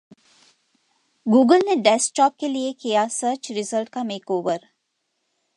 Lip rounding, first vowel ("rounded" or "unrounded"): rounded